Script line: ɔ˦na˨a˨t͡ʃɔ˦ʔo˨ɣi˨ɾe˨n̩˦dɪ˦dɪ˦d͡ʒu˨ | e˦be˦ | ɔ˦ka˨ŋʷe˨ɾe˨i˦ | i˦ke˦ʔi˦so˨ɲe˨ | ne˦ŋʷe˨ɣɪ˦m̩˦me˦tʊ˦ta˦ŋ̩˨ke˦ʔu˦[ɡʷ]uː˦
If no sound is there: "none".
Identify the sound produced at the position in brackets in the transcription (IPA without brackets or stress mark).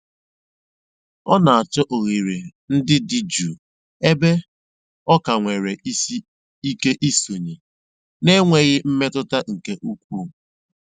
kʷ